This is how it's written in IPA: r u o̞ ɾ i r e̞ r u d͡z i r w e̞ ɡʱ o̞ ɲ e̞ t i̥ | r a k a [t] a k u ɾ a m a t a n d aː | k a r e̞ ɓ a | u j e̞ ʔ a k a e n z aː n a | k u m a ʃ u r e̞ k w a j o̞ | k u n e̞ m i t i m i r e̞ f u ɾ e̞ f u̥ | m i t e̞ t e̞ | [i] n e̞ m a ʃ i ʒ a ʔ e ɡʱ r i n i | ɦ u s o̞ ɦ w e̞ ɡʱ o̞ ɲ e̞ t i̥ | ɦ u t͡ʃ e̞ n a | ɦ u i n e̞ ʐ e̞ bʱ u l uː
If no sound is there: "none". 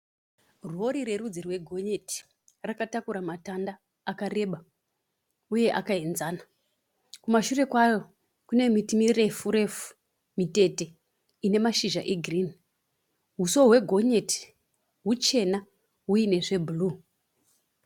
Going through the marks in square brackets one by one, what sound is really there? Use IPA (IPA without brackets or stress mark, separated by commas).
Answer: t, i